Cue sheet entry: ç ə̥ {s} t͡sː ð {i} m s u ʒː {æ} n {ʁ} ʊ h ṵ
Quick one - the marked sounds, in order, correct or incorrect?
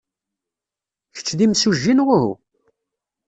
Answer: incorrect: none, correct, incorrect: i, correct

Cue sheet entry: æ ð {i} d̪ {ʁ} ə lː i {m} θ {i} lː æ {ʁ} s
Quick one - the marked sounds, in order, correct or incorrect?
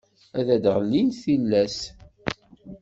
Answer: incorrect: æ, correct, incorrect: n, correct, incorrect: none

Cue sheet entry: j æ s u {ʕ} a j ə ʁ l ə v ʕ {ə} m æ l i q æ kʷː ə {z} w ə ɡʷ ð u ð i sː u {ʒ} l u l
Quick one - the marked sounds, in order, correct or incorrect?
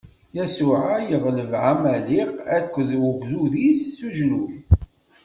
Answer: correct, incorrect: a, incorrect: ð, correct

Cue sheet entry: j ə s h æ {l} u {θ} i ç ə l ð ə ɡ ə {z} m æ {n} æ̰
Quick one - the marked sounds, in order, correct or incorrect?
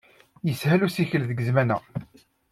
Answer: correct, incorrect: s, correct, correct

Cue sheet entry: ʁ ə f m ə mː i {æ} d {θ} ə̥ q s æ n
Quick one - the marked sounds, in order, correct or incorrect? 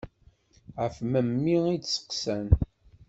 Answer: incorrect: i, incorrect: s

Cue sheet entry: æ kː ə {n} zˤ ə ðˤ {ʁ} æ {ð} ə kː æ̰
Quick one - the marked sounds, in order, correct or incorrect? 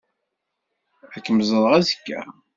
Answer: incorrect: m, correct, incorrect: z

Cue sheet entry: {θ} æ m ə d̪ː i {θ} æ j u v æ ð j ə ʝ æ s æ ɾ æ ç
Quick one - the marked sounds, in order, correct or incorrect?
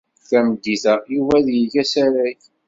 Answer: correct, correct

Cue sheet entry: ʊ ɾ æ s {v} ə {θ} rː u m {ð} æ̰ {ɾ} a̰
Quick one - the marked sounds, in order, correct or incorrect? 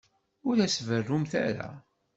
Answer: correct, incorrect: none, incorrect: θ, correct

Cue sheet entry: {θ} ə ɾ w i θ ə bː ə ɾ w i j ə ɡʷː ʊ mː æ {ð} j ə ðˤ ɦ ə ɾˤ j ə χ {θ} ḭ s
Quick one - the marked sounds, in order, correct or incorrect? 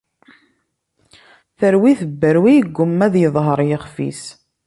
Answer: correct, correct, incorrect: f

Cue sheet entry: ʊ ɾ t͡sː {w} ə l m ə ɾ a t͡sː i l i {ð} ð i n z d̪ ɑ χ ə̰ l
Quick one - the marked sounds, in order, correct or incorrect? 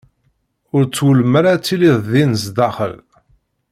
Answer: correct, correct

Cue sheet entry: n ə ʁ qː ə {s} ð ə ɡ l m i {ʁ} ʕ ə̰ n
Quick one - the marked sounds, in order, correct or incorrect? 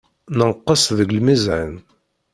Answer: correct, incorrect: z

